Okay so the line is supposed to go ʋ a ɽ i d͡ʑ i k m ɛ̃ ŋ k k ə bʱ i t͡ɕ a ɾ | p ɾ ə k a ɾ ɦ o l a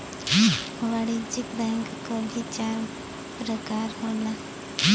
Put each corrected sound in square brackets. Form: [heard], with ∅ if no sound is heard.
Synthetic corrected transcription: ʋ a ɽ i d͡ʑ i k [b] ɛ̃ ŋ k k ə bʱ i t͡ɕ a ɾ | p ɾ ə k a ɾ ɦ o l a